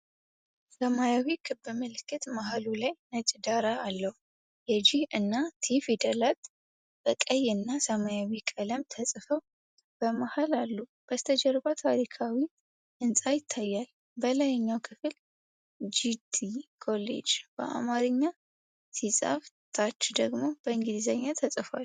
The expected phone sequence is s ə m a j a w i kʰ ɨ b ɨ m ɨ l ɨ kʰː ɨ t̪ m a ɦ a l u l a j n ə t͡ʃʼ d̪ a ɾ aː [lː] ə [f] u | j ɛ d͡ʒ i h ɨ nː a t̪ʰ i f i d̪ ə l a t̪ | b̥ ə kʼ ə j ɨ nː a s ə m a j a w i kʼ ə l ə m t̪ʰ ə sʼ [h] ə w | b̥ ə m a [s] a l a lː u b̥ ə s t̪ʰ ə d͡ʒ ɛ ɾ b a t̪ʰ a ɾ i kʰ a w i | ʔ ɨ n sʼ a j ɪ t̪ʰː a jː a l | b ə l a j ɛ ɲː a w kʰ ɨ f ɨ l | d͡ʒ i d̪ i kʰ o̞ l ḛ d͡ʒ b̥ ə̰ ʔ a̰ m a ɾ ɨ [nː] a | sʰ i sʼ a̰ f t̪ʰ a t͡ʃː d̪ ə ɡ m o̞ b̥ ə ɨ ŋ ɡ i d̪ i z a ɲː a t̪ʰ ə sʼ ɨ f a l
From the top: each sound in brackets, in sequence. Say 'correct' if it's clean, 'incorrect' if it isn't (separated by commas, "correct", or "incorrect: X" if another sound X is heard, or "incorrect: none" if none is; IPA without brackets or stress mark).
correct, incorrect: h, incorrect: f, incorrect: h, incorrect: ɲː